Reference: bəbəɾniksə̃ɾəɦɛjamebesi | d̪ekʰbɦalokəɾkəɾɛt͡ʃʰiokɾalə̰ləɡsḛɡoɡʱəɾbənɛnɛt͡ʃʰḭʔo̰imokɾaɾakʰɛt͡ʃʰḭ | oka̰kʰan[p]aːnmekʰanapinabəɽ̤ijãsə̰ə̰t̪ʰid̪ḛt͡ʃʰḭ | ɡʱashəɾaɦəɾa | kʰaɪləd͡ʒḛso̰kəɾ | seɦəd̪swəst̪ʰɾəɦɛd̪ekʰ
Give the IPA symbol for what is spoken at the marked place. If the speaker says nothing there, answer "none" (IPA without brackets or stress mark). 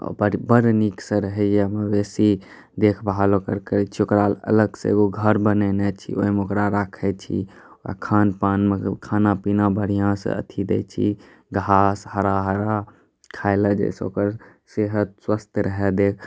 p